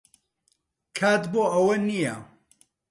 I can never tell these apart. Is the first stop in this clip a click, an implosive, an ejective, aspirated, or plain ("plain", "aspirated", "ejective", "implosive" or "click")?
aspirated